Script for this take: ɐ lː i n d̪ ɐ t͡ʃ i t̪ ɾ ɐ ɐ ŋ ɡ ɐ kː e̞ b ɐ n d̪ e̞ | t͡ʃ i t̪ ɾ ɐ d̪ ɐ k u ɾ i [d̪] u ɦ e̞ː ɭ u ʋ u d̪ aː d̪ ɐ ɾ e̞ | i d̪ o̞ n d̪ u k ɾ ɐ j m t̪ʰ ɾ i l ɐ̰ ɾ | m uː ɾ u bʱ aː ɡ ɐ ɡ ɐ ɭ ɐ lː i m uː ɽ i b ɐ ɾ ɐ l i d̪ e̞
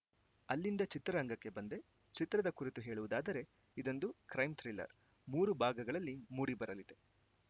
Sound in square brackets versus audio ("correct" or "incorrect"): incorrect